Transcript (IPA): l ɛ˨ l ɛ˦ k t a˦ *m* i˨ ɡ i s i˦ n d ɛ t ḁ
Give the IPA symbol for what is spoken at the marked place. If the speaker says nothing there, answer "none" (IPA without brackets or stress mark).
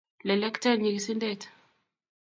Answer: ɲ